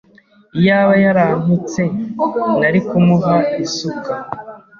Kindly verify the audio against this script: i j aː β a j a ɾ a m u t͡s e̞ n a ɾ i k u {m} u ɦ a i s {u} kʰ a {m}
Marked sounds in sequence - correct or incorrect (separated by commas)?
correct, correct, incorrect